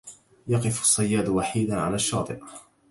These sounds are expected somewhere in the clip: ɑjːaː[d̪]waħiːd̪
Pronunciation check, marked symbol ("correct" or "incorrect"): correct